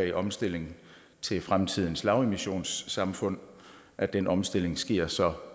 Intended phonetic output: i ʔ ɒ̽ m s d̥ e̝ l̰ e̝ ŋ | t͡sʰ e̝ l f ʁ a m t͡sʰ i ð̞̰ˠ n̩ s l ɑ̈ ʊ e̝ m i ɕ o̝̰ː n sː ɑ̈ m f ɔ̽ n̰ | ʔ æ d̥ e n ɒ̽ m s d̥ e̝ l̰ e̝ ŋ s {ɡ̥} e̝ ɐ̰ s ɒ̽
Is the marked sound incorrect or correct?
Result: correct